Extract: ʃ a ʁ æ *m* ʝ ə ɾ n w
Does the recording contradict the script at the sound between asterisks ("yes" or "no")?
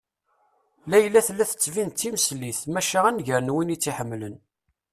yes